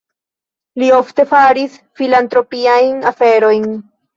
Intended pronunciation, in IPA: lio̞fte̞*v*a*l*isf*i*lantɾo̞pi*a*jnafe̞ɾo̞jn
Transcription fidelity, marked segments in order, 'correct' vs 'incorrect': incorrect: f, incorrect: ɾ, correct, correct

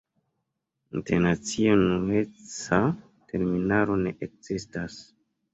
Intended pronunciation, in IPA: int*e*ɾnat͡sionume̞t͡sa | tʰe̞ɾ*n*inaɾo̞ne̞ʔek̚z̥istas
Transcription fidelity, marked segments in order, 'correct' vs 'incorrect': correct, incorrect: m

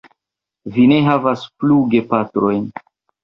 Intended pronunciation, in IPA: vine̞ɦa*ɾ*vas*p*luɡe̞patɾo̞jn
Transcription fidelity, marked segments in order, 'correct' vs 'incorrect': incorrect: none, correct

